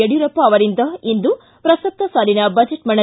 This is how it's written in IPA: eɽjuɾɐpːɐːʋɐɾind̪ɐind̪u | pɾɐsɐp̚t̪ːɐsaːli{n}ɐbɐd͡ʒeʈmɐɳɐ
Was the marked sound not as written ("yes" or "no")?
no